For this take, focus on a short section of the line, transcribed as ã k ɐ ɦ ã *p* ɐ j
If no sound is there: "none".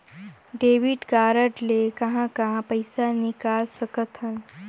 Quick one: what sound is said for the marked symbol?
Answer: p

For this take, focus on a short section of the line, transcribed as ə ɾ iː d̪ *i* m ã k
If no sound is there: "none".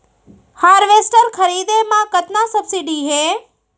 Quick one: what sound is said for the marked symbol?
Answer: e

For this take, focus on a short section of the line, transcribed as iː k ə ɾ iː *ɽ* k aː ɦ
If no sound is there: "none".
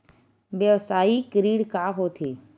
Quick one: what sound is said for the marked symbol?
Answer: ɽ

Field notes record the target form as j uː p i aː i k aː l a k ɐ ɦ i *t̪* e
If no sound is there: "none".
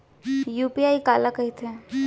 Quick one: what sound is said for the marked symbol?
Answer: t̪ʰ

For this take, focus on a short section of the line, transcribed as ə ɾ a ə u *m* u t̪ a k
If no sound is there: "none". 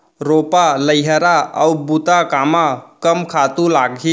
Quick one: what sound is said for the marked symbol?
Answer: b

